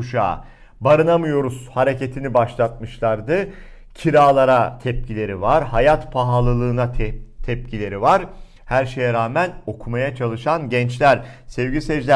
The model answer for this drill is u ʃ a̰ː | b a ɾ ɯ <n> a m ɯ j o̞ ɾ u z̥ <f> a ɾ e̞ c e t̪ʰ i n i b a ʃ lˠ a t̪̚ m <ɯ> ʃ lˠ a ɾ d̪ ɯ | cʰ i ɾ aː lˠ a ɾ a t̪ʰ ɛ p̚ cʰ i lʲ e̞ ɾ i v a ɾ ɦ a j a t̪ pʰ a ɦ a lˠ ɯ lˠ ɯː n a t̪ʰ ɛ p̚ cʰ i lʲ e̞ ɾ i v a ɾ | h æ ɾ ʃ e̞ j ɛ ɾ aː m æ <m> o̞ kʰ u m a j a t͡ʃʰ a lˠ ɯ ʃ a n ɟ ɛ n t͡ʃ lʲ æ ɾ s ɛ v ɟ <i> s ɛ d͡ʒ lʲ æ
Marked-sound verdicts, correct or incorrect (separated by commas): correct, incorrect, correct, incorrect, correct